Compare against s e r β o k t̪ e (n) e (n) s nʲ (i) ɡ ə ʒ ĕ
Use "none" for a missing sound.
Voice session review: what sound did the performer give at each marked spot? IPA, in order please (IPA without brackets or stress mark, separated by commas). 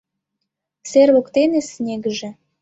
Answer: n, none, e